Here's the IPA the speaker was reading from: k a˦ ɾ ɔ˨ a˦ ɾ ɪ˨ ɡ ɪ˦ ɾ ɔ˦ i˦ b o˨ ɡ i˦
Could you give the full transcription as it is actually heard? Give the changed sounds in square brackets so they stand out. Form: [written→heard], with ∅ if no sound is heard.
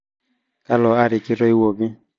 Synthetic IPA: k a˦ [ɾ→l] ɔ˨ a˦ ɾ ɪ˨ [ɡ→k] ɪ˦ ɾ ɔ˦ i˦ [b→w] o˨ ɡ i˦